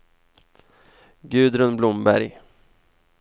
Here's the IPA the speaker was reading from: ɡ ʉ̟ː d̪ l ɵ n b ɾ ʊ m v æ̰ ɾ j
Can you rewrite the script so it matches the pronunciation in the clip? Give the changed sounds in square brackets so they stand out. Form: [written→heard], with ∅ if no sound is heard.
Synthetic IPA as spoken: ɡ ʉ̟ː d̪ [l→ɾ] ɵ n b [ɾ→l] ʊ m [v→b] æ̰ ɾ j

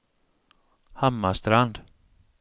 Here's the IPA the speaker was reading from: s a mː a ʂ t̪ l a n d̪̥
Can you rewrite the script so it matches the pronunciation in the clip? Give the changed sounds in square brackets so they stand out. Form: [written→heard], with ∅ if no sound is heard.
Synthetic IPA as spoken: [s→h] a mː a [ʂ→s] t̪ [l→ɾ] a n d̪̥

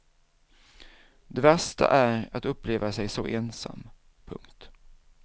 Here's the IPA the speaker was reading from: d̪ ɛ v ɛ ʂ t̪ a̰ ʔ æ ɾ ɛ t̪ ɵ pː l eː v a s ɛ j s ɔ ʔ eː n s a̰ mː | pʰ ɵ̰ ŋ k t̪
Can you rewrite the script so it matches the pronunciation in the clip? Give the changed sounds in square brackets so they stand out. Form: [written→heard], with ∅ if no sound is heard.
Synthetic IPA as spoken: d̪ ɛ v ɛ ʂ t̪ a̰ ʔ æ ɾ [ɛ→a] t̪ ɵ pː l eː v a s ɛ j s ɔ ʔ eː n s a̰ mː | pʰ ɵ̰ ŋ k t̪

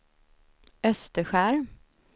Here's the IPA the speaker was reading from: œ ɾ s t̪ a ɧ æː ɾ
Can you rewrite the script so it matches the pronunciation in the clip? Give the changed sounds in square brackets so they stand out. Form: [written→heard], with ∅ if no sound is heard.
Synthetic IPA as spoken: œ [ɾ→∅] s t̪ [a→ə] ɧ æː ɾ

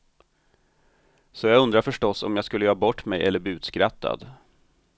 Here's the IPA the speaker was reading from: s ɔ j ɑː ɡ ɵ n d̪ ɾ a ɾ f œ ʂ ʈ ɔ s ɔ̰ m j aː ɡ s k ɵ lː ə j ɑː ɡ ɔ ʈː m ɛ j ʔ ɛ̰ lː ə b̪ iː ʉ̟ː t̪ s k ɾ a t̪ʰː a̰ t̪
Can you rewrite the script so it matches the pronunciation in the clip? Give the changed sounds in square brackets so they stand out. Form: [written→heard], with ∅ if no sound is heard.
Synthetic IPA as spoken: s ɔ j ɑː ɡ ɵ n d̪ ɾ a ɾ f œ ʂ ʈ ɔ s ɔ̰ m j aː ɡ s k ɵ lː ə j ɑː [ɡ→b] ɔ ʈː m ɛ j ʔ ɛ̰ lː ə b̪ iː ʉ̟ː t̪ s k ɾ a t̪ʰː a̰ [t̪→d̪]

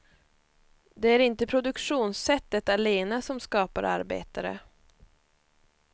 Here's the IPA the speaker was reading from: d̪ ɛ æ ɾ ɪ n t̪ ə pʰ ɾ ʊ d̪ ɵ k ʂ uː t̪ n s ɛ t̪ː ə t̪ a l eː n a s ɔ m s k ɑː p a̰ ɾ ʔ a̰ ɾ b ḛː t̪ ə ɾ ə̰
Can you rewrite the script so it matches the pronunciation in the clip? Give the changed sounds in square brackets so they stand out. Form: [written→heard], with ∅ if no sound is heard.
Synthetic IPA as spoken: d̪ ɛ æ ɾ ɪ n t̪ ə pʰ ɾ ʊ d̪ ɵ k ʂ uː [t̪→∅] n s ɛ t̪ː ə t̪ a l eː n a s ɔ m s k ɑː p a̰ ɾ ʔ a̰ ɾ b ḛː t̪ [ə→a] ɾ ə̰

